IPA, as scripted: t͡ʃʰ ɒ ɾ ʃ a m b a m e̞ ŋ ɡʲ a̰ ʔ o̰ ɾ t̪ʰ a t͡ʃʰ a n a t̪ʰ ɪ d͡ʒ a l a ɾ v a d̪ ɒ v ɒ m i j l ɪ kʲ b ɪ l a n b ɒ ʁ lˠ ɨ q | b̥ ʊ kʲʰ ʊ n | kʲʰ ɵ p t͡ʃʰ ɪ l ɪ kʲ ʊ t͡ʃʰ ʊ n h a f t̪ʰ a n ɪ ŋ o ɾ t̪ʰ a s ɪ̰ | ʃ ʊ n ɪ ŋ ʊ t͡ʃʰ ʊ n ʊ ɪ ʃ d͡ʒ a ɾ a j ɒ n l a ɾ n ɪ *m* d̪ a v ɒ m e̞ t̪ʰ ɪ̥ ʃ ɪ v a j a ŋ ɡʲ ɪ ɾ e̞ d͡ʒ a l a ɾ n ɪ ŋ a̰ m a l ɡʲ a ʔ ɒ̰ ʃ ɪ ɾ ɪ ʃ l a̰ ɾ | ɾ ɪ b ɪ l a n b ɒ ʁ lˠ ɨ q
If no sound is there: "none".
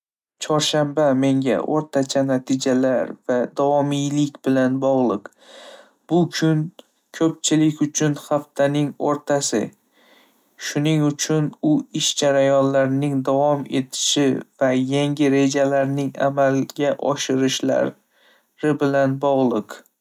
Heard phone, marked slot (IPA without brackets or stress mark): ŋ